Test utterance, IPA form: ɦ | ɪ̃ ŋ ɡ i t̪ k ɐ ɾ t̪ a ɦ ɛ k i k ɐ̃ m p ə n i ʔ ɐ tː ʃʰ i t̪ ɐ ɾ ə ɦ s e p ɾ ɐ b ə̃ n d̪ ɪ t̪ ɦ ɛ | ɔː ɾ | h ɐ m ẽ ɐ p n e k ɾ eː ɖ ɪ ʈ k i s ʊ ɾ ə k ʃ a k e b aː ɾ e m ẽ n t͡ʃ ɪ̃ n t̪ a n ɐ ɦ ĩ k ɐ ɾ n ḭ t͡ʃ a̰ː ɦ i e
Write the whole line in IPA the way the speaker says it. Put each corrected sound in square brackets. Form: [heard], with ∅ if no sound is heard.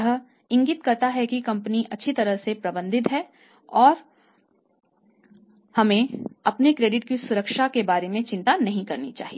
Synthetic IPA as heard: ɦ | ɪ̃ ŋ ɡ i t̪ k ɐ ɾ t̪ a ɦ ɛ k i k ɐ̃ m p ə n i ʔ ɐ tː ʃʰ i t̪ ɐ ɾ ə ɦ s e p ɾ ɐ b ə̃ n d̪ ɪ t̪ ɦ ɛ | ɔː ɾ | h ɐ m ẽ ɐ p n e k ɾ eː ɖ ɪ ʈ k i s ʊ ɾ ə k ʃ a k e b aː ɾ e m ẽ [∅] t͡ʃ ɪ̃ n t̪ a n ɐ ɦ ĩ k ɐ ɾ n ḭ t͡ʃ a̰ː ɦ i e